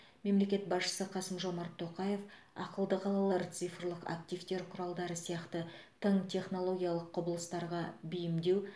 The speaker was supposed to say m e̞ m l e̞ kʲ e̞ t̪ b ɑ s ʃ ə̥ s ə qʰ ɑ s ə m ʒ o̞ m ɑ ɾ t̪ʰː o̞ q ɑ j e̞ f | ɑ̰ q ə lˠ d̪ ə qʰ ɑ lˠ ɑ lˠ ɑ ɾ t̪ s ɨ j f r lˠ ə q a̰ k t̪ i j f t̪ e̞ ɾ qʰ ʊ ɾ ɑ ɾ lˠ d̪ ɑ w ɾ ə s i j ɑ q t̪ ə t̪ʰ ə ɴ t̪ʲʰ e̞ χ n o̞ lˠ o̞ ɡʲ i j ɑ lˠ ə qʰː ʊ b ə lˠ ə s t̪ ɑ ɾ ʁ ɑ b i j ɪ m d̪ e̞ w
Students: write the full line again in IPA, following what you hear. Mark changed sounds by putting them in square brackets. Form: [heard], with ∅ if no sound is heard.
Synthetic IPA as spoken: m e̞ m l e̞ kʲ e̞ t̪ b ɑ s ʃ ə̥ s ə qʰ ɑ s ə m ʒ o̞ m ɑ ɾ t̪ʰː o̞ q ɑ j e̞ f | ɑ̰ q ə lˠ d̪ ə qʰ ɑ lˠ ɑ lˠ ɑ ɾ t̪ s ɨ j f r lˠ ə q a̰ k t̪ i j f t̪ e̞ ɾ qʰ ʊ ɾ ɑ [∅] lˠ d̪ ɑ [∅] ɾ ə s i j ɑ q t̪ ə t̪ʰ ə ɴ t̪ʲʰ e̞ χ n o̞ lˠ o̞ ɡʲ i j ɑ lˠ ə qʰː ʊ b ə lˠ ə s t̪ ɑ ɾ ʁ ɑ b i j ɪ m d̪ e̞ w